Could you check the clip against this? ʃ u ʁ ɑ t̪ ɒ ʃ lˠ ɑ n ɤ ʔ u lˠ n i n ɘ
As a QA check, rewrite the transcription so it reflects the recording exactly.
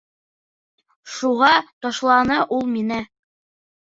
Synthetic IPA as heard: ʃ u ʁ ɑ t̪ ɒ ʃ lˠ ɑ n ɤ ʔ u lˠ m i n ɘ